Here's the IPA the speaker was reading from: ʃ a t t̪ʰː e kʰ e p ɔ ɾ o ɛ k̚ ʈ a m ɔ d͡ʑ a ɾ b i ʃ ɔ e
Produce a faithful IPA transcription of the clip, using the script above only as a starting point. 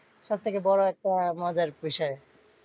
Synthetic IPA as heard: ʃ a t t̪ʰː e k e b ɔ ɾ o ɛ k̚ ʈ a m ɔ d͡ʑ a ɾ b i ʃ ɔ e